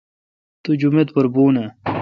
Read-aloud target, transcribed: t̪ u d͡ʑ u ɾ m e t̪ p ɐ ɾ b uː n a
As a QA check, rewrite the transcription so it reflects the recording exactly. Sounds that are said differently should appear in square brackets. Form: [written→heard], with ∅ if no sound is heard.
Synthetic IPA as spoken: t̪ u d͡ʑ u [ɾ→∅] m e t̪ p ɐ ɾ b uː n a